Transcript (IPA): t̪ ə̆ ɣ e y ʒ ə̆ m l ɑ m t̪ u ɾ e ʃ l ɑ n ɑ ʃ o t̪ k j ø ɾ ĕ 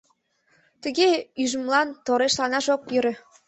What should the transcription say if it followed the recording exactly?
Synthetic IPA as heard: t̪ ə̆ ɣ e y ʒ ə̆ m l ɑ n t̪ o ɾ e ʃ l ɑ n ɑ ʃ o k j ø ɾ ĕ

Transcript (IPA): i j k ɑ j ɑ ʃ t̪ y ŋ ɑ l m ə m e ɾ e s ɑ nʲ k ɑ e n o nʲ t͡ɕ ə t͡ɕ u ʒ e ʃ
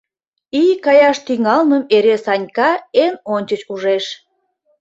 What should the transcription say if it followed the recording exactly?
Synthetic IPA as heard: i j k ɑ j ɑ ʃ t̪ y ŋ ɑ l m ə m e ɾ e s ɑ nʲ k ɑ e n o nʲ t͡ɕ ə t͡ɕ u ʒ e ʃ

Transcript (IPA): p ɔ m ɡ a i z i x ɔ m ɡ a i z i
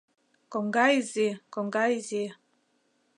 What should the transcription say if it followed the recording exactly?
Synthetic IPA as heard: k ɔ ŋ ɡ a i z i k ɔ ŋ ɡ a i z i

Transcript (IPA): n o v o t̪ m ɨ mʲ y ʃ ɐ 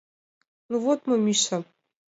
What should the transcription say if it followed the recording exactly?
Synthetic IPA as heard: n u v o t̪ m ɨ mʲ i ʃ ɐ

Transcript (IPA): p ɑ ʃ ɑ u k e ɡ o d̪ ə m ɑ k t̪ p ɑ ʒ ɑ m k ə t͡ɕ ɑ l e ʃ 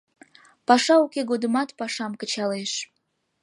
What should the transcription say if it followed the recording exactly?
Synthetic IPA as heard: p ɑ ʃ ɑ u k e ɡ o d̪ ə m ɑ t̪ p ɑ ʃ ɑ m k ə t͡ɕ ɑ l e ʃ

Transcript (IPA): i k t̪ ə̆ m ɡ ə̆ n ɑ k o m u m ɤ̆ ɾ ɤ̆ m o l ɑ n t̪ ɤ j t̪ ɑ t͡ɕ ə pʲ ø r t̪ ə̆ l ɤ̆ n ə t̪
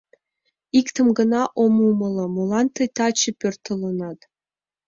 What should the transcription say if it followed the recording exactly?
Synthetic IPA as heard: i k t̪ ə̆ m ɡ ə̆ n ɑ ʔ o m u m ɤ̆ l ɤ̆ m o l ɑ n t̪ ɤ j t̪ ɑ t͡ɕ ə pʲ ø r t̪ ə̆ l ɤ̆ n ɑ t̪

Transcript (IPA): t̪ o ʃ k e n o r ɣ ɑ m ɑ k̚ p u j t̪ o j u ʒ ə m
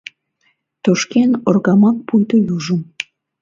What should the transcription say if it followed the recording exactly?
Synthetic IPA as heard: t̪ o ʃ k e n o r ɣ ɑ m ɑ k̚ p u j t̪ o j u ʒ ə m

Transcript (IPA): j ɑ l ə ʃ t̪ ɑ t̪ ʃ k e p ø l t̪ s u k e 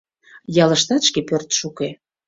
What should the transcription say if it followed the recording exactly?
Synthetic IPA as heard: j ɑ l ə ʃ t̪ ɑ t̪ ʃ k e p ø r t̪ ʃ u k e

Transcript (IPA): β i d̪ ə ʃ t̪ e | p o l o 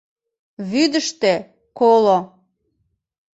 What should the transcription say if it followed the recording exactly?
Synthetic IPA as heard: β y d̪ ə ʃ t̪ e | k o l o

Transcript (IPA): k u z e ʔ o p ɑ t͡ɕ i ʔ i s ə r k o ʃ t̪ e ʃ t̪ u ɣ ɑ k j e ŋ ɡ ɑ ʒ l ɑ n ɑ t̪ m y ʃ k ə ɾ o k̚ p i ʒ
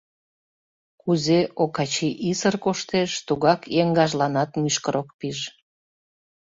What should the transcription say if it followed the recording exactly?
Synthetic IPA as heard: k u z e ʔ o k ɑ t͡ɕ i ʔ i s ə r k o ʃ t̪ e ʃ t̪ u ɣ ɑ k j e ŋ ɡ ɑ ʒ l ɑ n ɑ t̪ m y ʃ k ə ɾ o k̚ p i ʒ

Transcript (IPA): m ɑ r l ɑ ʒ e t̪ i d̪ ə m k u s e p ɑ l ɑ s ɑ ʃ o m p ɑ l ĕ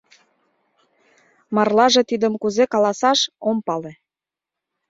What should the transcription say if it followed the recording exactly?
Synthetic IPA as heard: m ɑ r l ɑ ʒ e t̪ i d̪ ə m k u z e k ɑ l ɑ s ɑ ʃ o m p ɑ l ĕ

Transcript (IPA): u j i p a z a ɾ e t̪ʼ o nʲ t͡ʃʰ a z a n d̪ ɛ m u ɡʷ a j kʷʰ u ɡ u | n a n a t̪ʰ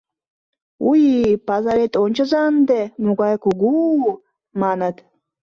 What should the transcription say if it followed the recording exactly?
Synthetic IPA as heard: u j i p a z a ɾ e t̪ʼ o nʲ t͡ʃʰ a z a n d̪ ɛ m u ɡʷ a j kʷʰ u ɡ u | m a n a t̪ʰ

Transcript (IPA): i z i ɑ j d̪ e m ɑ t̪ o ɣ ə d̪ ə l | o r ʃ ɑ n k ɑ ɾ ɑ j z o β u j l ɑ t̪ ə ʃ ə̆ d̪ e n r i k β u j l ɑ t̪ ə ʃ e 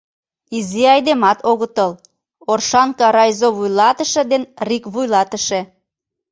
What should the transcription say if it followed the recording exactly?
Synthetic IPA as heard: i z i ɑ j d̪ e m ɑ t̪ o ɣ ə t̪ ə l | o r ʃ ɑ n k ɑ ɾ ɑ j z o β u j l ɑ t̪ ə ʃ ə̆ d̪ e n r i k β u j l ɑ t̪ ə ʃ e

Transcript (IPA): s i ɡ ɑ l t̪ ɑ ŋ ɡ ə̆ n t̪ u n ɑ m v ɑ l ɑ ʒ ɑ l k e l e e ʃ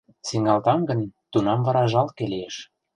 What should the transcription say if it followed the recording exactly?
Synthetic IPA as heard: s i ŋ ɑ l t̪ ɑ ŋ ɡ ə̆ n t̪ u n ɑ m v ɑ ɾ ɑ ʒ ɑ l k e l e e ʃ

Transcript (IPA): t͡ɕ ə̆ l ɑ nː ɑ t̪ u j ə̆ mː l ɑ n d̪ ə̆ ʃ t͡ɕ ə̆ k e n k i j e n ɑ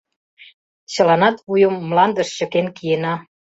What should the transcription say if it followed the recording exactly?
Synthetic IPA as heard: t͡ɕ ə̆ l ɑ n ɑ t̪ u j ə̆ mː l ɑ n d̪ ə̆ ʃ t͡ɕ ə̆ k e n k i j e n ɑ

